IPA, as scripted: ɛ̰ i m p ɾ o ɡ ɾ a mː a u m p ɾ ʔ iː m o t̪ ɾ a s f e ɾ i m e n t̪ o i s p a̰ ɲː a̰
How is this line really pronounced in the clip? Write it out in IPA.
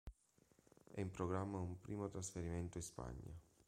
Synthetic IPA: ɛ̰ i m p ɾ o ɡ ɾ a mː a u m p ɾ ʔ iː m o t̪ ɾ a s f e ɾ i m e n t̪ o i s p a̰ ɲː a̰